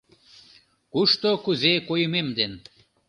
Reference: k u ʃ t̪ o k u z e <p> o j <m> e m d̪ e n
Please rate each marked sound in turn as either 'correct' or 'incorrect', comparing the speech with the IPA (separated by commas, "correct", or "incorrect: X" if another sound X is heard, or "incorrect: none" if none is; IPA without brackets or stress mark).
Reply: incorrect: k, correct